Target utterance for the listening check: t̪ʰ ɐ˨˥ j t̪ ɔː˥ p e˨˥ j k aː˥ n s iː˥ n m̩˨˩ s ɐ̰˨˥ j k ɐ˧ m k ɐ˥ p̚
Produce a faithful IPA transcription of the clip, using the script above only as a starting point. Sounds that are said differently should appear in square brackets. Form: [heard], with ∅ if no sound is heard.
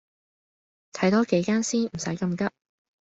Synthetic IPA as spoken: t̪ʰ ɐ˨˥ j t̪ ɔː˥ [k] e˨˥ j k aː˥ n s iː˥ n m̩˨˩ s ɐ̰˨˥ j k ɐ˧ m k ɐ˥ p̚